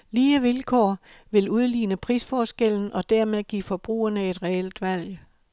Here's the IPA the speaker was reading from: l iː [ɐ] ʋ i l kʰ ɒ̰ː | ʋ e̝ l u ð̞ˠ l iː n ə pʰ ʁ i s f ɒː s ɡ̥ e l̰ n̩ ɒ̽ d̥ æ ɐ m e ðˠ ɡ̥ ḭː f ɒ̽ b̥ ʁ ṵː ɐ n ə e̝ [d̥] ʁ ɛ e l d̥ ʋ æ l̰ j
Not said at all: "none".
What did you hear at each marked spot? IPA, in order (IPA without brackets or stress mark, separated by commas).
ə, d̥